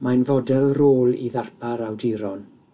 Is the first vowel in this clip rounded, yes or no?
no